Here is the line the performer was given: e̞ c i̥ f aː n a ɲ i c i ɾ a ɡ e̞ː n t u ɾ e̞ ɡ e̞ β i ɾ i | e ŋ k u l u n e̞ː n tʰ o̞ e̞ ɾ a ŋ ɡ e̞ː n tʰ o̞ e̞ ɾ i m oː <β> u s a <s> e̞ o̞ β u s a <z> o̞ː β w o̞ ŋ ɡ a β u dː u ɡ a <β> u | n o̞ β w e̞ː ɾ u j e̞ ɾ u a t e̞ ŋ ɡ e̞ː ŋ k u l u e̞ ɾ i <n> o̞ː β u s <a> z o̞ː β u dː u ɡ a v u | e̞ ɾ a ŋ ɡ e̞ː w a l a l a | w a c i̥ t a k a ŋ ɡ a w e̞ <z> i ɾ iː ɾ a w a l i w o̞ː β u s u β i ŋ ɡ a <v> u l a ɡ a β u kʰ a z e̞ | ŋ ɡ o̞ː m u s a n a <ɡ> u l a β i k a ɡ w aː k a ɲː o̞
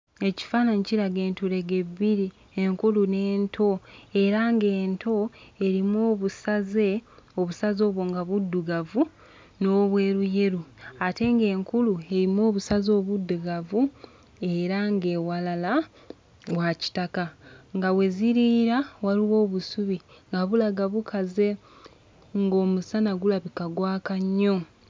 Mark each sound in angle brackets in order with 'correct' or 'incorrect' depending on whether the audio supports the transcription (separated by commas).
correct, incorrect, correct, incorrect, incorrect, correct, correct, incorrect, correct